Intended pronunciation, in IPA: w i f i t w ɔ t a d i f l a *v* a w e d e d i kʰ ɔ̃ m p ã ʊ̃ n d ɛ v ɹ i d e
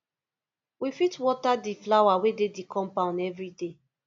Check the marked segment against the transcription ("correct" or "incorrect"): incorrect